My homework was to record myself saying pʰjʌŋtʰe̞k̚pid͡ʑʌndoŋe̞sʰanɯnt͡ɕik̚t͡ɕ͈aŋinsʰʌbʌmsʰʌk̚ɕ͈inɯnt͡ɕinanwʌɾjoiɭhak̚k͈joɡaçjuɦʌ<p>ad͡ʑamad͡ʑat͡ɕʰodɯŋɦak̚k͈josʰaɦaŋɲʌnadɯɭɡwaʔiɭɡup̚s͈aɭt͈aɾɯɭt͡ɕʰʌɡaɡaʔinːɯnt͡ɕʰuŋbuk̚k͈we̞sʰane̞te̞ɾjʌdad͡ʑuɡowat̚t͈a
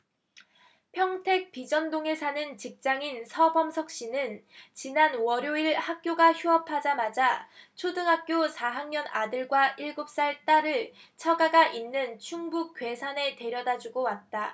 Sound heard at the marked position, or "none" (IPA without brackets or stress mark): pʰ